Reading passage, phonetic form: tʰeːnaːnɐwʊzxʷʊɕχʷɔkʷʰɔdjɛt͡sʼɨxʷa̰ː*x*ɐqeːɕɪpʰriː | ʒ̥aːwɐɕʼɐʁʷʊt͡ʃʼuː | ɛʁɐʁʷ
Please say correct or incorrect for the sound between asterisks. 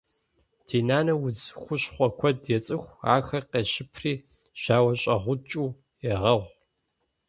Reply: correct